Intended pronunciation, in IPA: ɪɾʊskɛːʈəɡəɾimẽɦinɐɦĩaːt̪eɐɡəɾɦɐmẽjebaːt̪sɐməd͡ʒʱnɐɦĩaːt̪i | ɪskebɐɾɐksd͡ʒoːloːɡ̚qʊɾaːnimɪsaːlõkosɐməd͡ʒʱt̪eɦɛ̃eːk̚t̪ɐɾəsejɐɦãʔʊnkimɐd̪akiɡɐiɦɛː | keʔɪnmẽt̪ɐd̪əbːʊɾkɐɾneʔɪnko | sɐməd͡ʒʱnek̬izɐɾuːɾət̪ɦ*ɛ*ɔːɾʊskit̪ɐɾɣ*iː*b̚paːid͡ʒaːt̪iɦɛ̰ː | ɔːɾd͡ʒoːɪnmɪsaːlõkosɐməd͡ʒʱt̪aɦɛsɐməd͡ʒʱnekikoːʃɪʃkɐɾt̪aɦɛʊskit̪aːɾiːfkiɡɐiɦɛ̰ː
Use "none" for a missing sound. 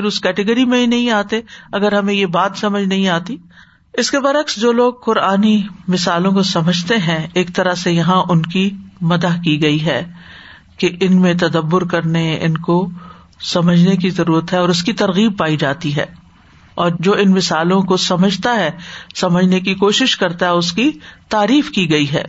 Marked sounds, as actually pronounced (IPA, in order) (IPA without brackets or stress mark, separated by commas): ɛ, iː